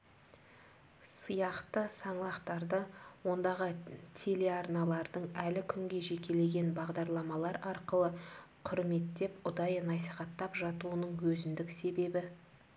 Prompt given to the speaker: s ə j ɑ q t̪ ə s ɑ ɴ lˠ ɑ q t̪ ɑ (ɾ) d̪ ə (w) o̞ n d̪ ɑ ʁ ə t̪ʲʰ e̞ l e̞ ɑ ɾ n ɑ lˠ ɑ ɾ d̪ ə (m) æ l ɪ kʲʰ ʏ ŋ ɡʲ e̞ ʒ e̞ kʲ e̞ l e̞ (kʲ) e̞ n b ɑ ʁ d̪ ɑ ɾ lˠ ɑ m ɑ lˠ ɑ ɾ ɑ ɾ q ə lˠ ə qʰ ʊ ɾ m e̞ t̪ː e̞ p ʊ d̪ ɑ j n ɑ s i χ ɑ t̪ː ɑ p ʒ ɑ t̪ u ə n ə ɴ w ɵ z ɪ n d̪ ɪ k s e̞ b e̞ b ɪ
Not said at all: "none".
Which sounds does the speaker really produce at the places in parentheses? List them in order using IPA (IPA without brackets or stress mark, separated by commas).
ɾ, w, ɴ, ɡʲ